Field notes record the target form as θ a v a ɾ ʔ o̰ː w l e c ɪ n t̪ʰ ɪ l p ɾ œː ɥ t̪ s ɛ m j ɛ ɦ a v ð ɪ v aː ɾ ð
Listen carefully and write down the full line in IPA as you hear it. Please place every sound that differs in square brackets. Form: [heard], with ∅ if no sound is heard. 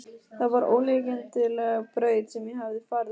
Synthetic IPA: θ a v a ɾ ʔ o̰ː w l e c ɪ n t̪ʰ ɪ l p ɾ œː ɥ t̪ s ɛ m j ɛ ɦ a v ð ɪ [f] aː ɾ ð